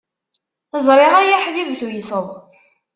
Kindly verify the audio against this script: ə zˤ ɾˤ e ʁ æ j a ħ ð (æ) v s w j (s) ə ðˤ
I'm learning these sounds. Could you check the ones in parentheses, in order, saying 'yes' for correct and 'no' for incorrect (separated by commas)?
no, yes